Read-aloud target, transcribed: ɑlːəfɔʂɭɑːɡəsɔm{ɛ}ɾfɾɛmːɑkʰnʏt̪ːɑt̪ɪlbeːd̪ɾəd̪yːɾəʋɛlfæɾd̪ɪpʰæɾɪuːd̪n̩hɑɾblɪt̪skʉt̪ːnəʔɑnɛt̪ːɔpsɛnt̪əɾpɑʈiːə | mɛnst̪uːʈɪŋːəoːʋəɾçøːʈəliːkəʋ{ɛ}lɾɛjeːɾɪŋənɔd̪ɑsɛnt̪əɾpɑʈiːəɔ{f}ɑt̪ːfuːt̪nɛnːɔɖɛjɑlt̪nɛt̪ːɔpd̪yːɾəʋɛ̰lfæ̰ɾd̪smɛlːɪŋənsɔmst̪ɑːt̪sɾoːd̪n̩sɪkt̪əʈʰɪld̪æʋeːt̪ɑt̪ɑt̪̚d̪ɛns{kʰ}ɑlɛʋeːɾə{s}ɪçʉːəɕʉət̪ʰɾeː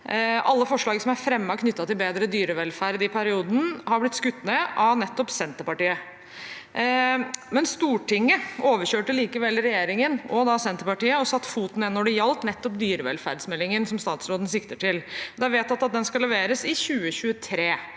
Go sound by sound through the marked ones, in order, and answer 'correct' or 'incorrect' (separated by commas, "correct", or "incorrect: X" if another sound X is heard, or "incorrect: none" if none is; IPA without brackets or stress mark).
incorrect: æ, correct, incorrect: s, incorrect: k, correct